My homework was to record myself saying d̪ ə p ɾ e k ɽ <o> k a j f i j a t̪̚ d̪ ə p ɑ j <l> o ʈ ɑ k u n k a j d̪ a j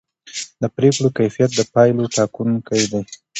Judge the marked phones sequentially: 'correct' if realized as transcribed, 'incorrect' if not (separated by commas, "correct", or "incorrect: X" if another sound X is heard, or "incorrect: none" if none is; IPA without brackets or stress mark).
correct, correct